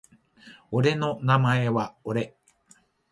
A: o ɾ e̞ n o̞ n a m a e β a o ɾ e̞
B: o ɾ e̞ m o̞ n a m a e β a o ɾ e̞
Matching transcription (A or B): A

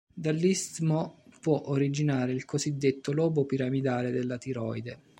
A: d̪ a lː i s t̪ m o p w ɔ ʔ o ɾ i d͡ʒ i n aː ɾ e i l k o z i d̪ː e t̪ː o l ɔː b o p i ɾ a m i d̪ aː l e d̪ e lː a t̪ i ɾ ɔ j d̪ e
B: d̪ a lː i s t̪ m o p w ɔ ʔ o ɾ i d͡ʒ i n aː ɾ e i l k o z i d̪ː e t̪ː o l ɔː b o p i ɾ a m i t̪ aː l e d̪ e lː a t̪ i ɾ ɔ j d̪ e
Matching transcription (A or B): A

